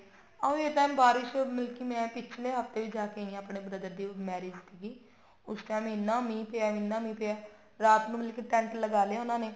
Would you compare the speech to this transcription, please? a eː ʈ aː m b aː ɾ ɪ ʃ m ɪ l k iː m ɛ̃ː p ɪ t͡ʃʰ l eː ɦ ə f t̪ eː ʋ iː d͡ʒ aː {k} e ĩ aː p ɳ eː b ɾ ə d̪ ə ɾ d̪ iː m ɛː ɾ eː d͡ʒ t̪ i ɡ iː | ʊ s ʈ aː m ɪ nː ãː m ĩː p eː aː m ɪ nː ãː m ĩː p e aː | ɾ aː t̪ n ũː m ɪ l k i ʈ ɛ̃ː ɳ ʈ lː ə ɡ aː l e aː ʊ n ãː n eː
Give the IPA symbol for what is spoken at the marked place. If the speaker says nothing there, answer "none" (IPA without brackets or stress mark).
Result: k